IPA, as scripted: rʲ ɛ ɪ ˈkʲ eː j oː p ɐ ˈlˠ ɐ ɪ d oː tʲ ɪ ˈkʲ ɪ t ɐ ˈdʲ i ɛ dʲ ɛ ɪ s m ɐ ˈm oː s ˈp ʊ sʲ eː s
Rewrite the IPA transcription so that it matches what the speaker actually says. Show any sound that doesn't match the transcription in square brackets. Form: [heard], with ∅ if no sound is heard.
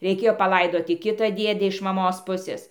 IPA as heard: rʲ ɛ ɪ ˈkʲ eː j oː p ɐ ˈlˠ ɐ ɪ d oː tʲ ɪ ˈkʲ ɪ t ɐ ˈdʲ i ɛ dʲ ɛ ɪ [ʃ] m ɐ ˈm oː s ˈp ʊ sʲ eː s